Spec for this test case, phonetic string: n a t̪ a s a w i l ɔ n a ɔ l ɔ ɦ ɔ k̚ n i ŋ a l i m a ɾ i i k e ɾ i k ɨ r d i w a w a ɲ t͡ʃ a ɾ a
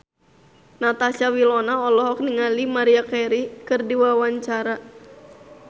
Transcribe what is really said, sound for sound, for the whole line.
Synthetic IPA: n a t̪ a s a w i l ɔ n a ɔ l ɔ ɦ ɔ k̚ n i ŋ a l i m a ɾ i a k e ɾ i k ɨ r d i w a w a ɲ t͡ʃ a ɾ a